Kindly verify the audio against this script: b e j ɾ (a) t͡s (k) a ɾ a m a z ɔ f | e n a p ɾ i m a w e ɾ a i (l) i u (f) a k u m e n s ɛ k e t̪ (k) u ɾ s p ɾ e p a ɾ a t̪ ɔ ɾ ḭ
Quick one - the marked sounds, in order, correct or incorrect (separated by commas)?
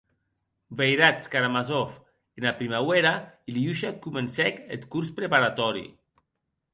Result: correct, correct, correct, incorrect, correct